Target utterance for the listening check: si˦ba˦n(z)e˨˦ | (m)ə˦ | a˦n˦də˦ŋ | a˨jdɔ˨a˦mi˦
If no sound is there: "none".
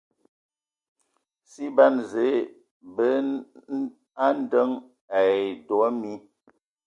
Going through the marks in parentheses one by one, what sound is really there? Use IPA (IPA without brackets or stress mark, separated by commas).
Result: z, b